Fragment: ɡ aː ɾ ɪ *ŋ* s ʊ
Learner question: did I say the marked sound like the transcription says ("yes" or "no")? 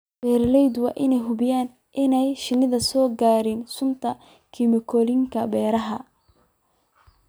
no